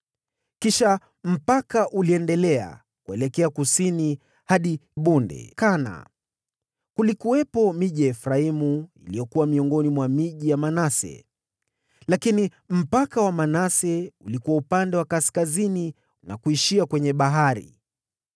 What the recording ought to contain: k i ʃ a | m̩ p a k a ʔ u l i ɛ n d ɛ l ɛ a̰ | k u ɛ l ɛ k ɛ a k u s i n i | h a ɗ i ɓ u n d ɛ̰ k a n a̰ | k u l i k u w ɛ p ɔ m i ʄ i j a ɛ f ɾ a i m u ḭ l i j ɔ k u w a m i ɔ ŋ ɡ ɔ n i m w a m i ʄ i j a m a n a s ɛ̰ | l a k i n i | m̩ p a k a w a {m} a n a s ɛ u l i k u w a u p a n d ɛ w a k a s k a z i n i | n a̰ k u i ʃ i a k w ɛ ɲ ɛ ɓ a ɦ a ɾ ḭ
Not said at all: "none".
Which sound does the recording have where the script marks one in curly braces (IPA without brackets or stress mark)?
m